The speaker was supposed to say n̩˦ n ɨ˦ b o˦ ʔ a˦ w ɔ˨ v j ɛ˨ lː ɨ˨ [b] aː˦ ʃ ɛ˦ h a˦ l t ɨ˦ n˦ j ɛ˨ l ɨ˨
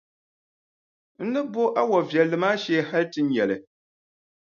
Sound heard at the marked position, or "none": m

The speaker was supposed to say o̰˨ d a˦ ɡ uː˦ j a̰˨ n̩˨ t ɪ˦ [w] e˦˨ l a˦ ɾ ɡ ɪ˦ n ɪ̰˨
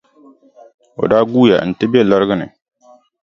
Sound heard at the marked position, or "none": b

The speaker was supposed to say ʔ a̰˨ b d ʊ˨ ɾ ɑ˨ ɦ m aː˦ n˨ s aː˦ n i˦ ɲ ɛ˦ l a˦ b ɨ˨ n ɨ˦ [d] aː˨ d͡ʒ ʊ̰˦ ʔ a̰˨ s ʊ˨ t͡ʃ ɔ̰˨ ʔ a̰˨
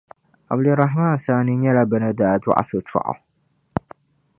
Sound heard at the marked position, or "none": d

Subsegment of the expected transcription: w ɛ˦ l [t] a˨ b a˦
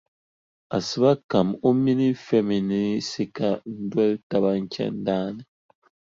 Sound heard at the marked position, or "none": t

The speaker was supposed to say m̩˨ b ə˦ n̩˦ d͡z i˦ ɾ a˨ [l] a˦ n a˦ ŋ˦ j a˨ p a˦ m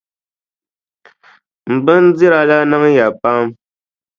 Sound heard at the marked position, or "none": l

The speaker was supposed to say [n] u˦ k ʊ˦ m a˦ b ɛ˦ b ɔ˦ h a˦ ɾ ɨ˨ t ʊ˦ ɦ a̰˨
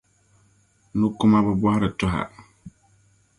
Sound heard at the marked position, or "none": n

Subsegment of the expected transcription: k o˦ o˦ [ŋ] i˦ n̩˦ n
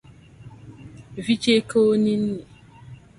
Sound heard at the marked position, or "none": n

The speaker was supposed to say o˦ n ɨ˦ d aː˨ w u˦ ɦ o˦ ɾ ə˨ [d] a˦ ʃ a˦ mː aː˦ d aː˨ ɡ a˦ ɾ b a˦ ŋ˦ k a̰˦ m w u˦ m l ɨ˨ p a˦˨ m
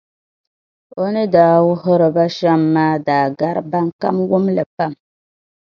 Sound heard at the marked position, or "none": b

